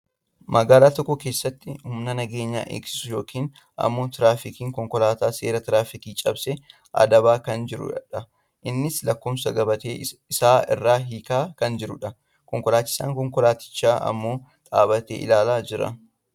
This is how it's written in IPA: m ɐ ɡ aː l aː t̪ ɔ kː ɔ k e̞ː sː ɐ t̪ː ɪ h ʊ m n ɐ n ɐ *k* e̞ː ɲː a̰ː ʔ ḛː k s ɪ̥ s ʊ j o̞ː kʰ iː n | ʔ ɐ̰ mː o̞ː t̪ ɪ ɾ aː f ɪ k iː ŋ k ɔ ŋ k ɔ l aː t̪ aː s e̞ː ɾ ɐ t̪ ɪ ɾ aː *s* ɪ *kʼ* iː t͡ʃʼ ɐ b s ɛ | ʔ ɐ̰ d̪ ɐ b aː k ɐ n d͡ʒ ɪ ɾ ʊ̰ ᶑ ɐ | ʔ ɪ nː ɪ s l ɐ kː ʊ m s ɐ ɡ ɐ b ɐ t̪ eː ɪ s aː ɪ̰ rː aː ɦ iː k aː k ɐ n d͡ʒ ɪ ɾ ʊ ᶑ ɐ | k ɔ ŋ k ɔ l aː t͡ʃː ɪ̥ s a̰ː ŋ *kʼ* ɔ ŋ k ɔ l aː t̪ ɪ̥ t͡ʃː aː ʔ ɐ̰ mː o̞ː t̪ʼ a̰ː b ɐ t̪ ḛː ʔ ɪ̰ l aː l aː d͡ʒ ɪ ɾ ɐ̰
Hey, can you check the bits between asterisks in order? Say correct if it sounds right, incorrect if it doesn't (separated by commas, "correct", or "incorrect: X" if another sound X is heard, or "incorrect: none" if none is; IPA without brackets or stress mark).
incorrect: ɡ, incorrect: f, incorrect: k, incorrect: k